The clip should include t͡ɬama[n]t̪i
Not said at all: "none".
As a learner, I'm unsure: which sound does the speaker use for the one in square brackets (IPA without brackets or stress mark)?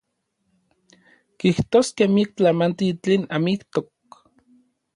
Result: n